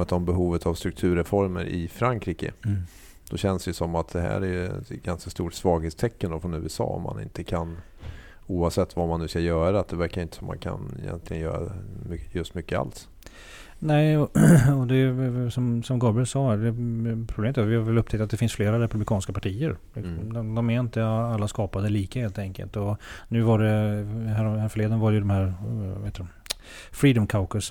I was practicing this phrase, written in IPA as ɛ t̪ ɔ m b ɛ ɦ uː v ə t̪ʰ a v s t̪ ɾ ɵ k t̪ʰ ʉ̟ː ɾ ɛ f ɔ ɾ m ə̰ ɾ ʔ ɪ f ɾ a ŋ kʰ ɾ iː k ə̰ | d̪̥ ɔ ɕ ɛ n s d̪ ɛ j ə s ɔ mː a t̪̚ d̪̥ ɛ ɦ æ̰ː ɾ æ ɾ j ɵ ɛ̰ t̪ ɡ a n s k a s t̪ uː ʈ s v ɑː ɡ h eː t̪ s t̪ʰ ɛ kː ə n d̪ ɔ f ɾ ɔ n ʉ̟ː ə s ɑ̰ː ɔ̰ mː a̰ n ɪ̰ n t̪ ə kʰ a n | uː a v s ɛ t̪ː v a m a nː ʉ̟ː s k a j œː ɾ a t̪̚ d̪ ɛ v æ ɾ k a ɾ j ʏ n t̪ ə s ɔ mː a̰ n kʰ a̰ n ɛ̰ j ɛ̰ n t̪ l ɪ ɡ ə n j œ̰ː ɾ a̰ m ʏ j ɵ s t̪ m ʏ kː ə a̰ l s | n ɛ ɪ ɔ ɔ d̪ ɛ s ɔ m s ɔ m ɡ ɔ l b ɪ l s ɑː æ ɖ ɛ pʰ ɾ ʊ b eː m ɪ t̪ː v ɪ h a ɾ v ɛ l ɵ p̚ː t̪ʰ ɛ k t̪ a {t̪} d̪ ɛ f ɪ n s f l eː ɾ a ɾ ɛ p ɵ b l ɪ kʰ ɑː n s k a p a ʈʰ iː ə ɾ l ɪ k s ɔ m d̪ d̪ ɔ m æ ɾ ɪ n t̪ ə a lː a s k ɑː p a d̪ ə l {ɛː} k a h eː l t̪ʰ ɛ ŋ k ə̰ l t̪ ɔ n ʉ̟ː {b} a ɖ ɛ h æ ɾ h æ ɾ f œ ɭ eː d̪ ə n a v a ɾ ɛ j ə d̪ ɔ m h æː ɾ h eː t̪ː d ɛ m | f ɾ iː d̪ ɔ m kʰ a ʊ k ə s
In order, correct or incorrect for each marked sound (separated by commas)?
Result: correct, incorrect, incorrect